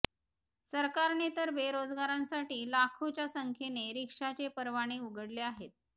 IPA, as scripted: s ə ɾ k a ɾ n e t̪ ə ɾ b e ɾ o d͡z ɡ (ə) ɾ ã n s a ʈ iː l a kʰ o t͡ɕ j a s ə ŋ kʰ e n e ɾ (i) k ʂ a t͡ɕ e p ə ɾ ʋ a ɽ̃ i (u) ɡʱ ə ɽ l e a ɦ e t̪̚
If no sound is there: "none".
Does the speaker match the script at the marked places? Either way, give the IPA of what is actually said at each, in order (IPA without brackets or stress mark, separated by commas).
a, i, u